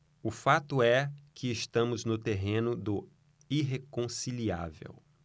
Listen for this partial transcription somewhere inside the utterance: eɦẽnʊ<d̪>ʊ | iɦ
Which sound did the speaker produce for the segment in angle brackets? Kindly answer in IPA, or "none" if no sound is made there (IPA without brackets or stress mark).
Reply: d̪